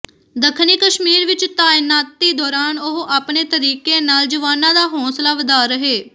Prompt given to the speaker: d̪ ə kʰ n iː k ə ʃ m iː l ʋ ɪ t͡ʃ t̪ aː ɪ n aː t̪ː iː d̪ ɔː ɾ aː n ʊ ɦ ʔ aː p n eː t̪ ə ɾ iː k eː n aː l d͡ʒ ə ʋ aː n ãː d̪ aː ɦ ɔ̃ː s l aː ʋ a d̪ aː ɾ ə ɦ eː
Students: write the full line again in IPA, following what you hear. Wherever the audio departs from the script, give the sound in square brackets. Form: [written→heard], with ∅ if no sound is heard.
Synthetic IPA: d̪ ə kʰ n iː k ə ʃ m iː [l→ɾ] ʋ ɪ t͡ʃ t̪ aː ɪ n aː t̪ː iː d̪ ɔː ɾ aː n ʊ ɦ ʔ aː p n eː t̪ ə ɾ iː k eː n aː l d͡ʒ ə ʋ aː n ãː d̪ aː ɦ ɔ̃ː s l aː ʋ [a→ə] d̪ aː ɾ ə ɦ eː